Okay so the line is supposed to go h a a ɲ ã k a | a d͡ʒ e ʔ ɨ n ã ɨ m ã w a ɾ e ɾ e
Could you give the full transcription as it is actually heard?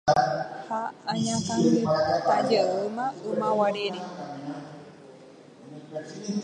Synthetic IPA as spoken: h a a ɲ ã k a | a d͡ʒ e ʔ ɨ m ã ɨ m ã w a ɾ e ɾ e